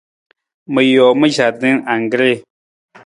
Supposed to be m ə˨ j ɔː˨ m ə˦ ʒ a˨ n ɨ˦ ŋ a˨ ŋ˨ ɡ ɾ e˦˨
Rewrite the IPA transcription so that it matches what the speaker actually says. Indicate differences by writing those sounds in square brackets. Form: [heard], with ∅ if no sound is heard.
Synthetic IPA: m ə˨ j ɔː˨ m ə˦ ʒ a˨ [d] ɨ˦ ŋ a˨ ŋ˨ ɡ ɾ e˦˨